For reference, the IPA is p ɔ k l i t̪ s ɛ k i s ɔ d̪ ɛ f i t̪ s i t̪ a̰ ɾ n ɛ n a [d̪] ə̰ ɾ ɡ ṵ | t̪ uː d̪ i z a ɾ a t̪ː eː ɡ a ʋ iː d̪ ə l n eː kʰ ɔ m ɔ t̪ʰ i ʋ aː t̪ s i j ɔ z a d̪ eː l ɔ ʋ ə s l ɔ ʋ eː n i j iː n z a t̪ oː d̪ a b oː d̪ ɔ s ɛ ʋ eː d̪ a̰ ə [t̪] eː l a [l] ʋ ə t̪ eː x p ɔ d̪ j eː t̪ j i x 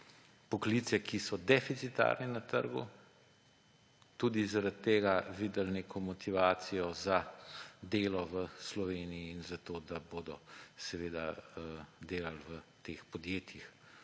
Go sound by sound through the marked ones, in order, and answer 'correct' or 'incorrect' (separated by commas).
incorrect, incorrect, correct